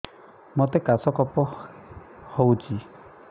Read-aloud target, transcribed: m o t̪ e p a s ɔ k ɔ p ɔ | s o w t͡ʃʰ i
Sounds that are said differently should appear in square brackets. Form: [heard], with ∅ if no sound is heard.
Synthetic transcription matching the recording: m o t̪ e [k] a s ɔ k ɔ p ɔ | [h] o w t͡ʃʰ i